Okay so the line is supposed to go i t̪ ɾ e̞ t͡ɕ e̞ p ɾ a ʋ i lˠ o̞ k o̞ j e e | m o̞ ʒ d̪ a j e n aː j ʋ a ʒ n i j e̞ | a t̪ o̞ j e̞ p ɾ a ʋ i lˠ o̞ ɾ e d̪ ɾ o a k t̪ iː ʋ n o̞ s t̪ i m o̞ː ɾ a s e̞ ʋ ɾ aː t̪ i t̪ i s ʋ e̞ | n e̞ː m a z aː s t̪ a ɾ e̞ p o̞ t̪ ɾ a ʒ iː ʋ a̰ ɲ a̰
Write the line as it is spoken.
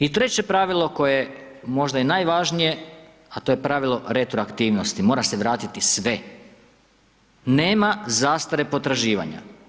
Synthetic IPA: i t̪ ɾ e̞ t͡ɕ e̞ p ɾ a ʋ i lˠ o̞ k o̞ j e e | m o̞ ʒ d̪ a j e n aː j ʋ a ʒ n i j e̞ | a t̪ o̞ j e̞ p ɾ a ʋ i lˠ o̞ ɾ e t̪ ɾ o a k t̪ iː ʋ n o̞ s t̪ i m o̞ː ɾ a s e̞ ʋ ɾ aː t̪ i t̪ i s ʋ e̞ | n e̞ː m a z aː s t̪ a ɾ e̞ p o̞ t̪ ɾ a ʒ iː ʋ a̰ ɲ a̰